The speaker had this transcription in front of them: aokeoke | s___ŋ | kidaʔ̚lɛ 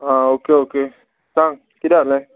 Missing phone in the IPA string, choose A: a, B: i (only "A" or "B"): A